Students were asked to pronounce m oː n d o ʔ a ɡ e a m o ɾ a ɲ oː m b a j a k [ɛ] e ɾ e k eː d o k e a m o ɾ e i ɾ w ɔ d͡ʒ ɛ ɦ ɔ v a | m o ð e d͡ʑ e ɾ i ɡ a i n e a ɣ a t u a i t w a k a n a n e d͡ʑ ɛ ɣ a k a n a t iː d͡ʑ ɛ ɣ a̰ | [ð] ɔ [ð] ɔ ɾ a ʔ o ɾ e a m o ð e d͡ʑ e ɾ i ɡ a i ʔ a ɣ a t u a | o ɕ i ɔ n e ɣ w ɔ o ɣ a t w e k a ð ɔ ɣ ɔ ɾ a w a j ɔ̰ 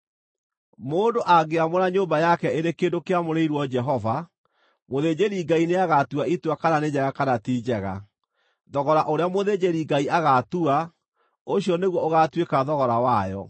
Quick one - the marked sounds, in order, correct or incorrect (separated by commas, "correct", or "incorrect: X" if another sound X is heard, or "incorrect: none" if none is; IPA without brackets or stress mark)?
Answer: correct, correct, incorrect: ɣ